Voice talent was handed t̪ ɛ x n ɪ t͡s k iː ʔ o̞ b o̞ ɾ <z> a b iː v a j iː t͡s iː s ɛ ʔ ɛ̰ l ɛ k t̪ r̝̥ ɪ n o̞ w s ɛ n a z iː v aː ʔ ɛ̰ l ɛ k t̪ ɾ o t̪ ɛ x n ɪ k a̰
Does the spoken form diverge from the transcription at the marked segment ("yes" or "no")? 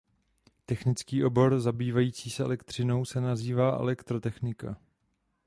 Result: no